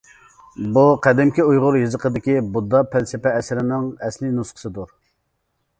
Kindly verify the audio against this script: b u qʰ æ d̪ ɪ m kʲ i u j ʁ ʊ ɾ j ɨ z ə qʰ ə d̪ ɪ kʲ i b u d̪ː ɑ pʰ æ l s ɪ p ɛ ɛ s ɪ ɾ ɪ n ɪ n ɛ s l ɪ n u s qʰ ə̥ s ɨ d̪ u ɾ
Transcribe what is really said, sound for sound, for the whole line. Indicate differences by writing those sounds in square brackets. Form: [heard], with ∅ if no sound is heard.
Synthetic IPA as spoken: b u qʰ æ d̪ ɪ m kʲ i u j ʁ ʊ ɾ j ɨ z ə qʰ ə d̪ ɪ kʲ i b u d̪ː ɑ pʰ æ l s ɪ p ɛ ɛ s ɪ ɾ ɪ n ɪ [ŋ] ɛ s l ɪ n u s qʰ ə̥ s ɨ d̪ u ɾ

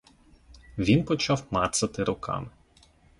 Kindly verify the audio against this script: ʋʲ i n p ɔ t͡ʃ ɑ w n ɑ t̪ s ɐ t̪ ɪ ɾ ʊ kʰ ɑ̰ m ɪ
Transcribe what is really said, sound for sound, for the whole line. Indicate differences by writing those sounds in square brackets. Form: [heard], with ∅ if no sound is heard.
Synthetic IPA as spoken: ʋʲ i n p ɔ t͡ʃ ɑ w [m] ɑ t̪ s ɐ t̪ ɪ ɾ ʊ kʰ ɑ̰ m ɪ

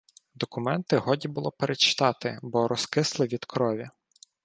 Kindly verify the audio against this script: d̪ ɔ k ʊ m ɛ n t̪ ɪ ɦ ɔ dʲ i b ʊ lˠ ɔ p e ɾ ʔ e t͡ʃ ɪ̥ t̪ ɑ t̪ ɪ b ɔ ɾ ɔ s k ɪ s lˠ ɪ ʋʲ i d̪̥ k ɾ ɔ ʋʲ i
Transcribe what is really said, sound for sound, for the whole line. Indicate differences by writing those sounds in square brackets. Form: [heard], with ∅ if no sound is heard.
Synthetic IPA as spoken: d̪ ɔ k ʊ m ɛ n t̪ ɪ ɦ ɔ dʲ i b ʊ lˠ ɔ p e ɾ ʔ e t͡ʃ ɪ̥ t̪ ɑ t̪ ɪ b ɔ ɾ ɔ s k ɪ s lˠ ɪ ʋʲ i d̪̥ k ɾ ɔ ʋʲ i

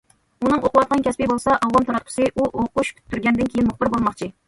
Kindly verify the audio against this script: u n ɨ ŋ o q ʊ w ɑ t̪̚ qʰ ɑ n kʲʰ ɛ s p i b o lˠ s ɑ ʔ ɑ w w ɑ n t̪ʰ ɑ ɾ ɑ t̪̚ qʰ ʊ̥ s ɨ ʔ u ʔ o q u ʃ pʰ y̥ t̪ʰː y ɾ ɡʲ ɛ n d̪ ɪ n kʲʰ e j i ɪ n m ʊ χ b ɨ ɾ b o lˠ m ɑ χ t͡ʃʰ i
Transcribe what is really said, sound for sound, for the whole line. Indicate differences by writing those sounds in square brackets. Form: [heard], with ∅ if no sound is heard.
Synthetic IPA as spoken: u n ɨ ŋ o q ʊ w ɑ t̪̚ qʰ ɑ n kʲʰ ɛ s p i b o lˠ s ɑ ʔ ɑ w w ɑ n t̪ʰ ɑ ɾ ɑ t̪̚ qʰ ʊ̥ s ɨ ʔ u ʔ o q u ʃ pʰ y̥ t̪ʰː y ɾ ɡʲ ɛ n d̪ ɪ n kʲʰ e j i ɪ n m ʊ χ b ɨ ɾ b o lˠ m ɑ χ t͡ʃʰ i

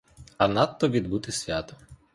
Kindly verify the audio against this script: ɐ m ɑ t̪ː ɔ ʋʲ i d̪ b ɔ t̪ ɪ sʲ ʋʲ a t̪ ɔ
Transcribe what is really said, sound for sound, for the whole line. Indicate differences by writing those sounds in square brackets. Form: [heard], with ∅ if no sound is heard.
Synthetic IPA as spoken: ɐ [n] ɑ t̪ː ɔ ʋʲ i d̪ b [u] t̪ ɪ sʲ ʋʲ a t̪ ɔ

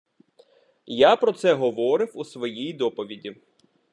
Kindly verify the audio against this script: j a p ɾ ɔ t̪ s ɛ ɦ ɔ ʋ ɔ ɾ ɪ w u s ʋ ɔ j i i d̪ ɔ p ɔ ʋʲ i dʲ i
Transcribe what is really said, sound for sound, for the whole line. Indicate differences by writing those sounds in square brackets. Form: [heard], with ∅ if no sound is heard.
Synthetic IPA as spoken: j a p ɾ ɔ t̪ s ɛ ɦ ɔ ʋ ɔ ɾ ɪ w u s ʋ ɔ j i [j] d̪ ɔ p ɔ ʋʲ i dʲ i

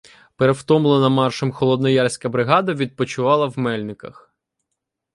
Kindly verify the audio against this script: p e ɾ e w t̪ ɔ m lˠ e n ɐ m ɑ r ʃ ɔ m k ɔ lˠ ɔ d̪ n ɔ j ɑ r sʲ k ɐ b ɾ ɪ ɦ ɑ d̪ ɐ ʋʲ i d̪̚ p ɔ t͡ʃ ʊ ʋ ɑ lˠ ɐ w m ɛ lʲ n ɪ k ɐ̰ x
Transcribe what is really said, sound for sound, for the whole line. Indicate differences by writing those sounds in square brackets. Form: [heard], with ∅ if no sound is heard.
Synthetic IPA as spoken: p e ɾ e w t̪ ɔ m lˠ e n ɐ m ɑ r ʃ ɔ m [x] ɔ lˠ ɔ d̪ n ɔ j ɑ r sʲ k ɐ b ɾ ɪ ɦ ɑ d̪ ɐ ʋʲ i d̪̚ p ɔ t͡ʃ ʊ ʋ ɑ lˠ ɐ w m ɛ lʲ n ɪ k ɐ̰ x

